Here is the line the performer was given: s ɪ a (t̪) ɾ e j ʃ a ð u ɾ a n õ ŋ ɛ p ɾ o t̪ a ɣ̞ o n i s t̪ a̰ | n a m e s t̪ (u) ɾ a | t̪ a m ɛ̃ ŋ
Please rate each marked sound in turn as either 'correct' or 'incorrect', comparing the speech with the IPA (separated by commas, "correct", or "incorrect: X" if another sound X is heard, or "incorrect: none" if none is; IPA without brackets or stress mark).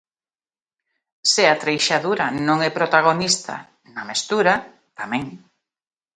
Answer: correct, correct